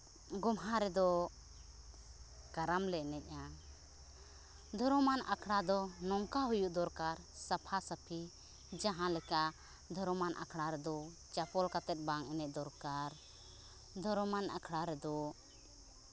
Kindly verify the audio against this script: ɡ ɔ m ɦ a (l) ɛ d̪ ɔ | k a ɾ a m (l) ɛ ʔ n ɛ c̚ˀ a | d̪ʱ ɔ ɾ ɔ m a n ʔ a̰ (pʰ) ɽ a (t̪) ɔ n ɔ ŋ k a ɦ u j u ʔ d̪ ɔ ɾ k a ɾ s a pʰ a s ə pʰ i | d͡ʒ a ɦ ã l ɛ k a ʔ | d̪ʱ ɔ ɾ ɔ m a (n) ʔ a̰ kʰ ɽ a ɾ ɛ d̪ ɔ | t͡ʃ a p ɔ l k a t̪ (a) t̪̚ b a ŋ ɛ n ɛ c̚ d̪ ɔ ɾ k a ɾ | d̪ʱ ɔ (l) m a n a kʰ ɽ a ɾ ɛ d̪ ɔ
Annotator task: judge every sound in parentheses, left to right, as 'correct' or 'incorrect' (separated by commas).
incorrect, correct, incorrect, incorrect, correct, incorrect, incorrect